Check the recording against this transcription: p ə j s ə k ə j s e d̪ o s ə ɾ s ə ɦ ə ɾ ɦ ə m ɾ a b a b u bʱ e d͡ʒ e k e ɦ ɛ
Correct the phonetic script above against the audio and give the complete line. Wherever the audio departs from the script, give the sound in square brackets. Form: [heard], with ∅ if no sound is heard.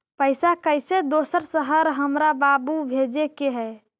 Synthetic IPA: p ə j s [a] k ə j s e d̪ o s ə ɾ s ə ɦ ə ɾ ɦ ə m ɾ a b a b u bʱ e d͡ʒ e k e ɦ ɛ